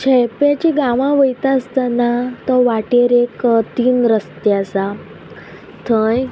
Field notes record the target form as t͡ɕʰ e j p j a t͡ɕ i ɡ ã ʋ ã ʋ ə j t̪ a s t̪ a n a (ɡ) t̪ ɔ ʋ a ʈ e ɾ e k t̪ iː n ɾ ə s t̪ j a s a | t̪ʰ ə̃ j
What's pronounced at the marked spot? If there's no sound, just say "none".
none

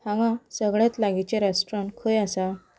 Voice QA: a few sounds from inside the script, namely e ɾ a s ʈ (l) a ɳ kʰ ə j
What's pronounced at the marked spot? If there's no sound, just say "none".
ɾ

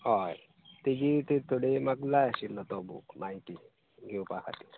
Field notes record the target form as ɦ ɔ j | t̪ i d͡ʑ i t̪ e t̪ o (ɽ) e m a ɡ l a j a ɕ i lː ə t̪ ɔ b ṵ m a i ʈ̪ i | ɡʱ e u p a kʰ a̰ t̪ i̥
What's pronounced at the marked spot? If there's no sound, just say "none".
ɽ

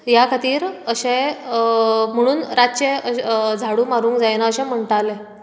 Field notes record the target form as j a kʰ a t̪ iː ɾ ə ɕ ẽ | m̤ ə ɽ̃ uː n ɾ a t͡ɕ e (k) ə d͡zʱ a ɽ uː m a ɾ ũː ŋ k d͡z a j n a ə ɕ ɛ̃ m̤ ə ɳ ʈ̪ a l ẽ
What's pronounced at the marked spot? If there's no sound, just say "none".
none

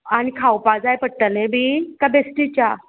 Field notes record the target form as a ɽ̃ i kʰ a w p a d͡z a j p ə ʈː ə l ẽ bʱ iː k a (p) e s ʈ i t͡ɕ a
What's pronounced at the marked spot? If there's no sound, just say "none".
b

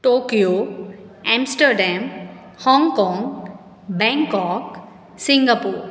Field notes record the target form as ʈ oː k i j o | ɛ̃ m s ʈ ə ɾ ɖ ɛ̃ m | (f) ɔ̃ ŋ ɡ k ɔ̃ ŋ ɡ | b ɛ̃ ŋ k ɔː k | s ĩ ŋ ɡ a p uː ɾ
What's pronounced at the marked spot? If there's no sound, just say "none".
h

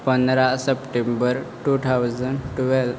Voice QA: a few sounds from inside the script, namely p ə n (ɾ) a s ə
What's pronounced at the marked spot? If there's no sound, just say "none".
ɾ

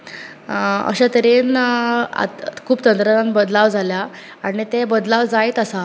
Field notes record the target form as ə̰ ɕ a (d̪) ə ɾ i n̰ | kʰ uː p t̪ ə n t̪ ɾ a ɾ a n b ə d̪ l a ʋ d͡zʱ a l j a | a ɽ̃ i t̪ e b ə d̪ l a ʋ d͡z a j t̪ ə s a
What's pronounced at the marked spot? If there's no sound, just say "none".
t̪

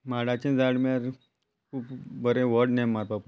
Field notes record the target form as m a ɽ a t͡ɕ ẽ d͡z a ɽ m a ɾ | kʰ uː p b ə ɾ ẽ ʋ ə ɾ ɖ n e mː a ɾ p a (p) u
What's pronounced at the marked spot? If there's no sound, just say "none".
p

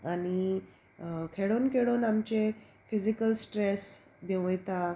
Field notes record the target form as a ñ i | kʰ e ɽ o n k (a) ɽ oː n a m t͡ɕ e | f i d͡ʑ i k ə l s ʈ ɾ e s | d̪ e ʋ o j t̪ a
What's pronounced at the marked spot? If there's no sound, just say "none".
e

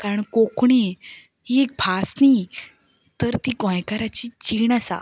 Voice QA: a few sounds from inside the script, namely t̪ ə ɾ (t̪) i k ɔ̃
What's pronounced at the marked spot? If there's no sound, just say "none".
t̪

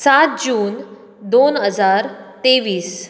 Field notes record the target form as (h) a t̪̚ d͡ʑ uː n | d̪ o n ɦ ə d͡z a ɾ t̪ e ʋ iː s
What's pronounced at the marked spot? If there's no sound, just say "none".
s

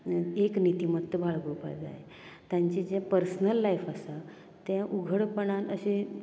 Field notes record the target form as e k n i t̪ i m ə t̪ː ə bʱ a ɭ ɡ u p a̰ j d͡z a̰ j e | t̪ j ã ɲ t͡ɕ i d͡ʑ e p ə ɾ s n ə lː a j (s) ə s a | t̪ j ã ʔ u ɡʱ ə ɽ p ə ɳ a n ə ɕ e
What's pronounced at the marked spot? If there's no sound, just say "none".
f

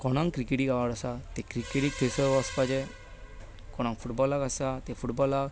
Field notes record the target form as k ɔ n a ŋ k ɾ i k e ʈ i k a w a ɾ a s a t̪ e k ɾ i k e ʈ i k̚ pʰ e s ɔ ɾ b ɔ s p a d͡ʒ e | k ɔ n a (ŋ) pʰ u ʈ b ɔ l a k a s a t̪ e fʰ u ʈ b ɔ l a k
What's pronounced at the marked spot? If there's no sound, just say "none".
ŋ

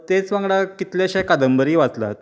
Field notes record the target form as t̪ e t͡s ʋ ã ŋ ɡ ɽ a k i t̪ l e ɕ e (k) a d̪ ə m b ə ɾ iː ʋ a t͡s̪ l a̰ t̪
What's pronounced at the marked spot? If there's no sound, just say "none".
k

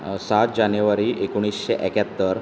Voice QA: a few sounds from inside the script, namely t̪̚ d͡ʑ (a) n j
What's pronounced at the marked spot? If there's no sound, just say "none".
a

